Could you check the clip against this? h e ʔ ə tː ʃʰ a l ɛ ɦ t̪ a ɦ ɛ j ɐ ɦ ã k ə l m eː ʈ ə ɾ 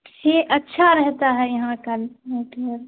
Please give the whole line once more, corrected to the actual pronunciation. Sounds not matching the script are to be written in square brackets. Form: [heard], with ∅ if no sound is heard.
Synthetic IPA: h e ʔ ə tː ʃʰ a [ɾ] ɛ ɦ t̪ a ɦ ɛ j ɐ ɦ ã k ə l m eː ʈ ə ɾ